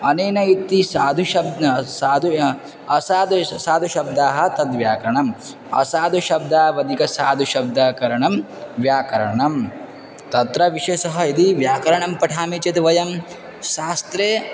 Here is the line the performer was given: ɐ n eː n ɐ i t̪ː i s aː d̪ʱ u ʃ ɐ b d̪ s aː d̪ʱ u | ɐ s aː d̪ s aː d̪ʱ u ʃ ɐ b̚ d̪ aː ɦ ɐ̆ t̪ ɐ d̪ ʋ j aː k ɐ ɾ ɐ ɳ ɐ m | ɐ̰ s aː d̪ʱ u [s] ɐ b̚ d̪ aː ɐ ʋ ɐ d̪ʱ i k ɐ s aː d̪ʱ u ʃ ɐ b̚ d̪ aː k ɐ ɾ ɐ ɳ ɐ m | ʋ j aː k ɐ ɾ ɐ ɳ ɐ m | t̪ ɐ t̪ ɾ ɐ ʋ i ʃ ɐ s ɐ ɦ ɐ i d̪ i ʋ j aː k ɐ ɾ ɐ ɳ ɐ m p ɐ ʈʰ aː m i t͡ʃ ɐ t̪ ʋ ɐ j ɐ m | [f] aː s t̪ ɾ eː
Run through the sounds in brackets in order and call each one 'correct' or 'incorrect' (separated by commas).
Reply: incorrect, incorrect